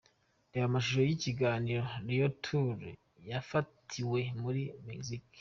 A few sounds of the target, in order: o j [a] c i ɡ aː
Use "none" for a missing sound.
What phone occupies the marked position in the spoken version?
i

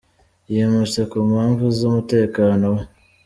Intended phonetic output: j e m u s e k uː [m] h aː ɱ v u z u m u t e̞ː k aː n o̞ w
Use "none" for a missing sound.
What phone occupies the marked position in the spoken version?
m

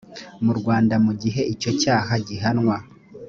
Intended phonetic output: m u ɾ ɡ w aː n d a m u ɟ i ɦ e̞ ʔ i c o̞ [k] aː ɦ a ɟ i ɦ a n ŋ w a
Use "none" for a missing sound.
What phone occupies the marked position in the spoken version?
c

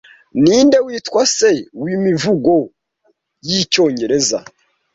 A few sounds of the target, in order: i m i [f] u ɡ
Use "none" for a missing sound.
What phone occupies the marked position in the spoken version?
v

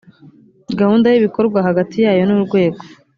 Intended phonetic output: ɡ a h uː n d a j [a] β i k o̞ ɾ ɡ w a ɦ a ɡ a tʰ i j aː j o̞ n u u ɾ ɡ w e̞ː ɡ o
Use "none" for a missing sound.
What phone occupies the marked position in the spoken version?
i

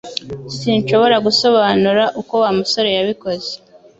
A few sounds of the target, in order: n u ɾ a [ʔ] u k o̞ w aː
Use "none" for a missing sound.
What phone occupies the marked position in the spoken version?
ʔ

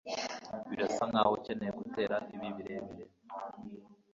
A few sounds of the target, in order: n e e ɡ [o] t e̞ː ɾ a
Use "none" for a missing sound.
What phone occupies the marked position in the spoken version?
u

